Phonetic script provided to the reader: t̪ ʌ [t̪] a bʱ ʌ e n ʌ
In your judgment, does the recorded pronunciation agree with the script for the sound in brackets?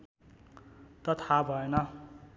no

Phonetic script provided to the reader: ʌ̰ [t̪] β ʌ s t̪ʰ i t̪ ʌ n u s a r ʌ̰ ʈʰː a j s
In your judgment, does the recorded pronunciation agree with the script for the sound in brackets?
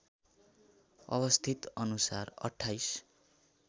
no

